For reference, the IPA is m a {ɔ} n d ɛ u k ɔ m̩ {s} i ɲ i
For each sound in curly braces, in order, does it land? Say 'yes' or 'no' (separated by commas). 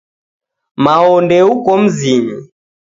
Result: yes, no